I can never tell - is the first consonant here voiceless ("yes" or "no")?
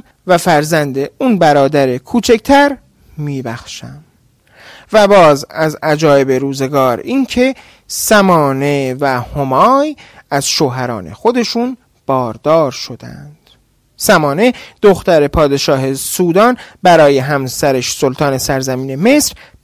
no